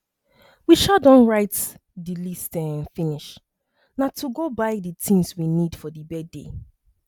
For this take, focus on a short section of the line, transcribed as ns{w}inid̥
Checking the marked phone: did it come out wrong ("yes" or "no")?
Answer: no